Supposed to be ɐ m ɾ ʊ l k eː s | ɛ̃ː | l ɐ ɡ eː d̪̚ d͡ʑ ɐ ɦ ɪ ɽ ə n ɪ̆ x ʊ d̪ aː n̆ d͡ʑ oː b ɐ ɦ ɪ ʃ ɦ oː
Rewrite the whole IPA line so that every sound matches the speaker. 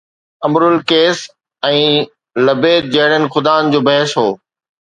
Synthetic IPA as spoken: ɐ m ɾ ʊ l k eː s | ɛ̃ː | l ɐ b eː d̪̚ d͡ʑ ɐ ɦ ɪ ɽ ə n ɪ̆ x ʊ d̪ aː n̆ d͡ʑ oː b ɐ ɦ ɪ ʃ ɦ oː